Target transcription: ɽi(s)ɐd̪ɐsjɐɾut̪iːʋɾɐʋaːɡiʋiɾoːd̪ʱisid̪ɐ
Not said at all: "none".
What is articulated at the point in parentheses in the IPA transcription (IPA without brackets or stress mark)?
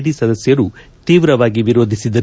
s